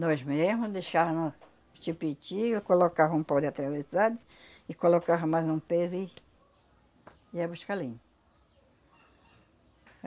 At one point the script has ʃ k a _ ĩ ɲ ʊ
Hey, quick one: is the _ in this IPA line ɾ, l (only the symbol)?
l